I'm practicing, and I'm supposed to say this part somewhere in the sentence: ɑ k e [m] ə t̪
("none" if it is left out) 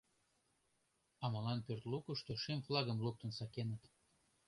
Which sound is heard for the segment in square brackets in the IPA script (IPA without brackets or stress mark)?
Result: n